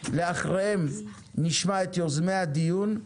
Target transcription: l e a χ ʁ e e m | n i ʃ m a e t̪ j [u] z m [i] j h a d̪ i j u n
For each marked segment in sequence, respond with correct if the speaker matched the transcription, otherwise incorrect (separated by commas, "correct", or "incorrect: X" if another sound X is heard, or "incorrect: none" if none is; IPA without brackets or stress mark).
incorrect: o, incorrect: e